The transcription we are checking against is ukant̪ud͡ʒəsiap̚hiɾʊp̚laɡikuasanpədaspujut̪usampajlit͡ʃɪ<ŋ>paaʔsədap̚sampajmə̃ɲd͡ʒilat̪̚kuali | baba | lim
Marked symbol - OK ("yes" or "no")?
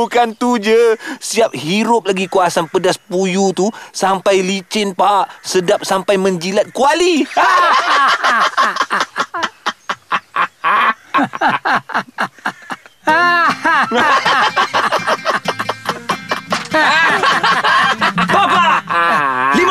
no